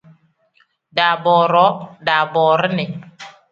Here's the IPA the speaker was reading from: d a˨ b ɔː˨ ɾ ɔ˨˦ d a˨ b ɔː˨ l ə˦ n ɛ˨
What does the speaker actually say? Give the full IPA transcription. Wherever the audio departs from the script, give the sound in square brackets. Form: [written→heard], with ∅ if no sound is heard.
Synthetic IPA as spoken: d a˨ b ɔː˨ ɾ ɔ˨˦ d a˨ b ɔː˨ [l→ɾ] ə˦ n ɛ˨